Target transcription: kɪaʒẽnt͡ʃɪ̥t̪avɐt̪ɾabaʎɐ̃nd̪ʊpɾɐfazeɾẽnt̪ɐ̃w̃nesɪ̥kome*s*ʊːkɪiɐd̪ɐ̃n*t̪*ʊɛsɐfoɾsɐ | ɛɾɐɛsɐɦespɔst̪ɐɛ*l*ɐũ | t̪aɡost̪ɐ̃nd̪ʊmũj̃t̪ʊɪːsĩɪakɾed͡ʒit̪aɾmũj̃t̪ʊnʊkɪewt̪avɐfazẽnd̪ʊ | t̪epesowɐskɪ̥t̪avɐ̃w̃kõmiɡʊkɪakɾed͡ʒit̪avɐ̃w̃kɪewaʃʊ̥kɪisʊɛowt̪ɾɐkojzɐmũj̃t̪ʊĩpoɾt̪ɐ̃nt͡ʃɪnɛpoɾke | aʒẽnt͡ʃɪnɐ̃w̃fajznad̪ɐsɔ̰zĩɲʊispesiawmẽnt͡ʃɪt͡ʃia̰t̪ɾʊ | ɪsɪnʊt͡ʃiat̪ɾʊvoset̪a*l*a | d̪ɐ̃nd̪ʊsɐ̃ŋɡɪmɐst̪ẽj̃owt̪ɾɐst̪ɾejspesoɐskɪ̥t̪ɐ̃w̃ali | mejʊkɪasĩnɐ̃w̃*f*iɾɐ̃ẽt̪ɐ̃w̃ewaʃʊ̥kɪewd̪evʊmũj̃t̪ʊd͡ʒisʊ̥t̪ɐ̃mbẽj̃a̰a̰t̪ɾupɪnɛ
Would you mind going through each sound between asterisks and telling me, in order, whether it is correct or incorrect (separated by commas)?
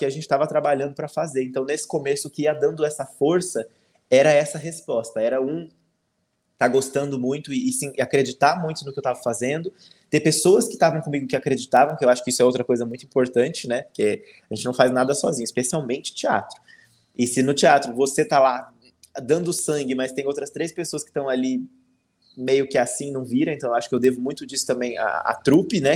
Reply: correct, incorrect, incorrect, correct, incorrect